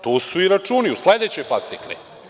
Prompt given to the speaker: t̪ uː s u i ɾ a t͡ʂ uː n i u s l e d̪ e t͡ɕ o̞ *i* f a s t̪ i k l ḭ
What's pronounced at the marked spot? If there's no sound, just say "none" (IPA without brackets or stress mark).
j